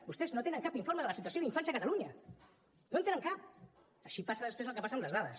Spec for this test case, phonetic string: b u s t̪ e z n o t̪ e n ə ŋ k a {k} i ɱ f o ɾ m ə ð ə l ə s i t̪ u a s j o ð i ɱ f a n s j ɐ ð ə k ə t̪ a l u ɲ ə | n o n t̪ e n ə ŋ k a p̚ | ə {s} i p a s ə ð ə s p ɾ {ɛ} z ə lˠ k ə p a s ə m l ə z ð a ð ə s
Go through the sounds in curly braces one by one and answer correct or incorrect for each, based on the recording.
incorrect, incorrect, incorrect

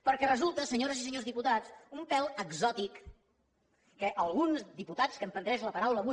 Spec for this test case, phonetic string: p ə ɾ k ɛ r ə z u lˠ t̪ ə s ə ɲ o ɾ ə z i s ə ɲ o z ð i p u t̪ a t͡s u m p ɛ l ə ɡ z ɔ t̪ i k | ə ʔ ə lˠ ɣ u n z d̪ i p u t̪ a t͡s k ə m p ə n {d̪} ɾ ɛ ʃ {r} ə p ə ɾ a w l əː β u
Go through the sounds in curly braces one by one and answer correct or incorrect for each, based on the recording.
correct, incorrect

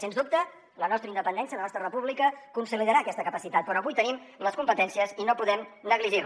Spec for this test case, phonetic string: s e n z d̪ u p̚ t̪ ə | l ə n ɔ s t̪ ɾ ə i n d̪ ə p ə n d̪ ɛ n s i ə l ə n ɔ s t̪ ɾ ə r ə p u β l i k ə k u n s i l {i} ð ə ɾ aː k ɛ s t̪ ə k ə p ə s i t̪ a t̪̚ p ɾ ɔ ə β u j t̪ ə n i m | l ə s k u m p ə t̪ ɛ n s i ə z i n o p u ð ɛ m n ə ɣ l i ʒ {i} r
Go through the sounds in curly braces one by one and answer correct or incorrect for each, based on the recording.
correct, correct

